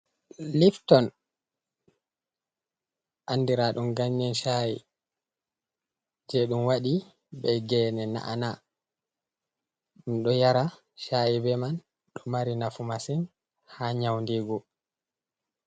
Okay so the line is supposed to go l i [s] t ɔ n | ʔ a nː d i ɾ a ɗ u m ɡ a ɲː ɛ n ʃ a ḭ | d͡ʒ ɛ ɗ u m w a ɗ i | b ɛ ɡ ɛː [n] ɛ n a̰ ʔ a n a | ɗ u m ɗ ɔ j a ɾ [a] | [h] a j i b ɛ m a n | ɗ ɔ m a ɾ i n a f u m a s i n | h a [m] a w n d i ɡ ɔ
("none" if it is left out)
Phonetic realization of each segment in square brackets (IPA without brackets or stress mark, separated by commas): f, n, a, ʃ, ɲ